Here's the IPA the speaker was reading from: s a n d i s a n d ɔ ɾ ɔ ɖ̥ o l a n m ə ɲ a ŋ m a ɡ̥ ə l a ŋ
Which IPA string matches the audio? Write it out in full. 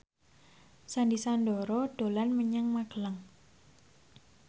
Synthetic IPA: s a n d i s a n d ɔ ɾ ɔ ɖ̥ o l a n m ə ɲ a ŋ m a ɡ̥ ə l a ŋ